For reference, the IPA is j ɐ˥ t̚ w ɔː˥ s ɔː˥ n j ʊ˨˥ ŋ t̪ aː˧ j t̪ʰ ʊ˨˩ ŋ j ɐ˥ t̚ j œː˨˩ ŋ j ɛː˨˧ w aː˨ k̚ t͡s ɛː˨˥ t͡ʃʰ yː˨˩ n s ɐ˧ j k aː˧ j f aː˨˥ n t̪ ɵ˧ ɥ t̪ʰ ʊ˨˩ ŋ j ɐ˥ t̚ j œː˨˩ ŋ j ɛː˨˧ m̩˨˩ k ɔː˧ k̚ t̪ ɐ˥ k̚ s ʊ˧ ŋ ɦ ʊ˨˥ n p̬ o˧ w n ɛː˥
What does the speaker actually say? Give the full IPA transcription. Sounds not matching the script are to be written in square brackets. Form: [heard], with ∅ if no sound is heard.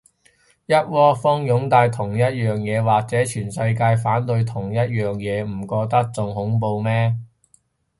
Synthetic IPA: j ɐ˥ t̚ w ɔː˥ [f] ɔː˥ [ŋ] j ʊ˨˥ ŋ t̪ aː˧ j t̪ʰ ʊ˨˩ ŋ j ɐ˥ t̚ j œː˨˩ ŋ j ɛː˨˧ w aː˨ k̚ t͡s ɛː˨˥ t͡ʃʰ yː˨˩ n s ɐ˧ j k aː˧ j f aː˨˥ n t̪ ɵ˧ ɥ t̪ʰ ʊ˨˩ ŋ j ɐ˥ t̚ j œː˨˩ ŋ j ɛː˨˧ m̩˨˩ k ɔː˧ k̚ t̪ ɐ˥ k̚ [t͡s] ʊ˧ ŋ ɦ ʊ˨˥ [ŋ] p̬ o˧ w [m] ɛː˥